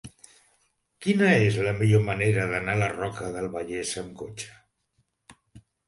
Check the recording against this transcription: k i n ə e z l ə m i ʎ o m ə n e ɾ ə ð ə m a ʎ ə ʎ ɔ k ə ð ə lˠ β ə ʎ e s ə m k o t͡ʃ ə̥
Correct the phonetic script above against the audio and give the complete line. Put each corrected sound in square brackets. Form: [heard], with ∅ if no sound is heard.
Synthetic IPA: k i n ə e z l ə m i ʎ o m ə n e ɾ ə ð ə [n] a [l] ə [r] ɔ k ə ð ə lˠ β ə ʎ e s ə m k o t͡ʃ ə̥